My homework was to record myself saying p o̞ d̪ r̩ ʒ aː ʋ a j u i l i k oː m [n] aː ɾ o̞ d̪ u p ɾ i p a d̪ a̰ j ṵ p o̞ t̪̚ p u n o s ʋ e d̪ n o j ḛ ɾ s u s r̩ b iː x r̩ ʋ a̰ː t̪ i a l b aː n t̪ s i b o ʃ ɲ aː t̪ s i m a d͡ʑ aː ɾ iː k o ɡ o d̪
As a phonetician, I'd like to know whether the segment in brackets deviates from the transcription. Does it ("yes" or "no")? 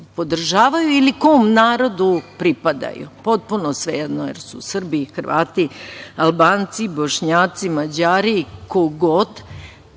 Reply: no